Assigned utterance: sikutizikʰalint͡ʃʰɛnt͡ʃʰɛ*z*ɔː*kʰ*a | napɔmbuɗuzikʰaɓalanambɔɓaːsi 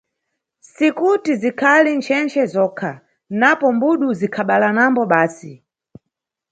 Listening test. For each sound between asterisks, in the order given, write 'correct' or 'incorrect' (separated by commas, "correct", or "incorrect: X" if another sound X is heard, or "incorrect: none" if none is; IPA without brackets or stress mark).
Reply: correct, correct